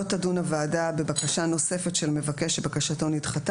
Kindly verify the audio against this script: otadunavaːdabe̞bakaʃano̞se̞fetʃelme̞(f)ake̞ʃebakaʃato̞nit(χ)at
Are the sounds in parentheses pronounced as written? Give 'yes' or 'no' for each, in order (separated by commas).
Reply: no, yes